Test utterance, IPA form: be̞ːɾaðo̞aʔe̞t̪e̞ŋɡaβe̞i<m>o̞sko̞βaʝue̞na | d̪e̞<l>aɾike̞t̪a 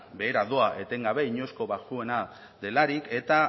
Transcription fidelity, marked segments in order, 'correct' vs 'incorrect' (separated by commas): incorrect, correct